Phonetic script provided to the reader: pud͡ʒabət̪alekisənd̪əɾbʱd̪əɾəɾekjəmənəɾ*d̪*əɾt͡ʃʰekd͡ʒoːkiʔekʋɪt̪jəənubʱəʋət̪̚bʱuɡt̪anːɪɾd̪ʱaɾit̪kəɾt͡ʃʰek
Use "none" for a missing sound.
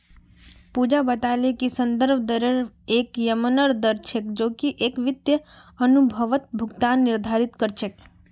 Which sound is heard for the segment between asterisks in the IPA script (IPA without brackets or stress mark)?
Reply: d̪